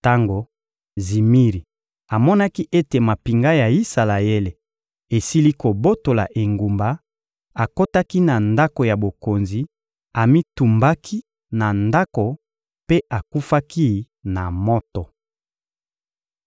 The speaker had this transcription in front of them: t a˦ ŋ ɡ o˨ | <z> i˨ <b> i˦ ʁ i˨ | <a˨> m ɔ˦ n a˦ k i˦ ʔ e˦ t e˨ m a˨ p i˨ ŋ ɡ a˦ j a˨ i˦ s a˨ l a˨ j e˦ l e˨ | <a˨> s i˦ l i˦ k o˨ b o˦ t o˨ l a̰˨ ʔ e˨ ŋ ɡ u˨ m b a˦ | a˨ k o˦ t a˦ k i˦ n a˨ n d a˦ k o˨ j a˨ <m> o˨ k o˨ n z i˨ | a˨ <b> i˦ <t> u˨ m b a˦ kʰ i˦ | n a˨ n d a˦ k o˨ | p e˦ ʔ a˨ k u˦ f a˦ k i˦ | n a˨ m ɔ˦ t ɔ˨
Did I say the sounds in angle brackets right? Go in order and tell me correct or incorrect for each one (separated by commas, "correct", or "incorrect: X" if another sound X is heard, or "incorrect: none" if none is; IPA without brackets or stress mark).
correct, incorrect: m, correct, incorrect: e˨, incorrect: b, incorrect: m, correct